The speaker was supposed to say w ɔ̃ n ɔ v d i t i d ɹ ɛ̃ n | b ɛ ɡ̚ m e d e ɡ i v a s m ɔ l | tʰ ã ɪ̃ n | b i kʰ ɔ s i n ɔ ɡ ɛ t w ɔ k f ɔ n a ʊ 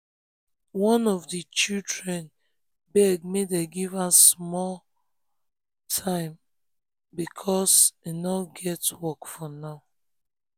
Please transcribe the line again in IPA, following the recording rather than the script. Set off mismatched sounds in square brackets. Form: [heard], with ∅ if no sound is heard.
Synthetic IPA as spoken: w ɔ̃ n ɔ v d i [t͡ʃ] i d ɹ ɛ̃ n | b ɛ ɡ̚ m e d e ɡ i v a s m ɔ l | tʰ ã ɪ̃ [m] | b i kʰ ɔ s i n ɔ ɡ ɛ t w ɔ k f ɔ n a ʊ